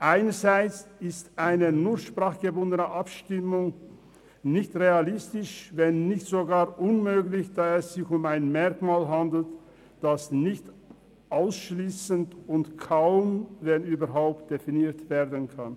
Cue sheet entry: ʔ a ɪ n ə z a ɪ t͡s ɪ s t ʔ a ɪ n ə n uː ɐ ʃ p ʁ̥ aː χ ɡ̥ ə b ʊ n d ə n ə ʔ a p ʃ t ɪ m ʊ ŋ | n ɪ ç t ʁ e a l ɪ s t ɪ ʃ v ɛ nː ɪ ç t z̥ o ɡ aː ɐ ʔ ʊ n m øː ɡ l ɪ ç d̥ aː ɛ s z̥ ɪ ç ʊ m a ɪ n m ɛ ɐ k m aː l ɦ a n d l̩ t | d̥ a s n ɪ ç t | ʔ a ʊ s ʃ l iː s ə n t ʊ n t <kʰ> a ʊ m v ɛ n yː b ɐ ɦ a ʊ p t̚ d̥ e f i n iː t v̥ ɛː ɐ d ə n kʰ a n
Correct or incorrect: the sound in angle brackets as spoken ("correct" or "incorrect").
correct